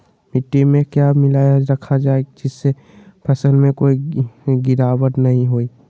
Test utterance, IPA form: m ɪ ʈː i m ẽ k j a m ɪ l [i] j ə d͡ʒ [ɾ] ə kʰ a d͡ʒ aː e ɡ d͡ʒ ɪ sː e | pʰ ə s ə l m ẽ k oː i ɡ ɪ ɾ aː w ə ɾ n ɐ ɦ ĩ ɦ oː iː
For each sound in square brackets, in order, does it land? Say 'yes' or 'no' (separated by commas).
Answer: no, yes